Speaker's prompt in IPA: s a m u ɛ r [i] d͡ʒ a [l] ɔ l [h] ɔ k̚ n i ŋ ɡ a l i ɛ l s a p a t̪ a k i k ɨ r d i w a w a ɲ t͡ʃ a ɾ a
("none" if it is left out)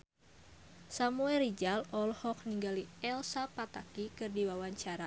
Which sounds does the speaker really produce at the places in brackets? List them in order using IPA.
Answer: i, l, h

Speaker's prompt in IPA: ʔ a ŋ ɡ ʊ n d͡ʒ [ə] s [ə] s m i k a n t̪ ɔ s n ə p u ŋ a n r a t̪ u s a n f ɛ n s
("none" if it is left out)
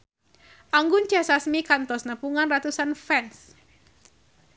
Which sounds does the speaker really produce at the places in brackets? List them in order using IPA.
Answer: a, a

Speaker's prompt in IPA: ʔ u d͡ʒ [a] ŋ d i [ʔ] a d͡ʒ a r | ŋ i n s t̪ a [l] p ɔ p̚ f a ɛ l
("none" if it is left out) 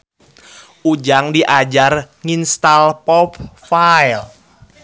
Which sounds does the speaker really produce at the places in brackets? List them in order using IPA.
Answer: a, ʔ, l

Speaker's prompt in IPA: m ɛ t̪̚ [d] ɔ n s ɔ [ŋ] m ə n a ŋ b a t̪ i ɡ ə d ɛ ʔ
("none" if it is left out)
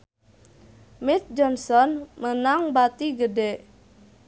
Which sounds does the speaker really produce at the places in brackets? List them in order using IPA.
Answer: d͡ʒ, n

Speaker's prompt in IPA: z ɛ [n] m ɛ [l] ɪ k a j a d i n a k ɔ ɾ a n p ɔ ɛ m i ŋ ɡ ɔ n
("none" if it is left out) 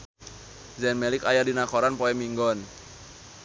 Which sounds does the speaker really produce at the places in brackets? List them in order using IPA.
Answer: n, l

